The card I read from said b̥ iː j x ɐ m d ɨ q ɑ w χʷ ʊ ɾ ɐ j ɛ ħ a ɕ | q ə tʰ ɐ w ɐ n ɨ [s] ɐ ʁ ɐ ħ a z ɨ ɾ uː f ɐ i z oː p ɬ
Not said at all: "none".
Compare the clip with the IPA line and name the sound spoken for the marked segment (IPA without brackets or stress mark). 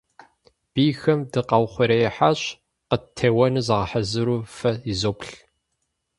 z